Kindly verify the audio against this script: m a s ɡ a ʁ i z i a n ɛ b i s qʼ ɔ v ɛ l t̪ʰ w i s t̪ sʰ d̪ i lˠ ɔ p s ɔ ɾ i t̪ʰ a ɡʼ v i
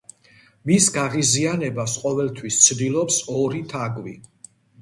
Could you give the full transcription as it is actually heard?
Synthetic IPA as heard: m i s ɡ a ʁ i z i a n ɛ b a s qʼ ɔ v ɛ l t̪ʰ w i s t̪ sʰ d̪ i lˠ ɔ p s ɔ ɾ i t̪ʰ a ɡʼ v i